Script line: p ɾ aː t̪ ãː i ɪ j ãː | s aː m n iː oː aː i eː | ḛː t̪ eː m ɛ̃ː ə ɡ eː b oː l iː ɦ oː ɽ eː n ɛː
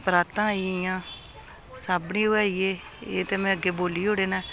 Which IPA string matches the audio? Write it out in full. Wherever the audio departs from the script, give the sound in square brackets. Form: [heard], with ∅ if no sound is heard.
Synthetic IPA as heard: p ɾ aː t̪ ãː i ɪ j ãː | s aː [b] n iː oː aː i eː | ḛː t̪ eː m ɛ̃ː ə ɡ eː b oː l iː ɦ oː ɽ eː n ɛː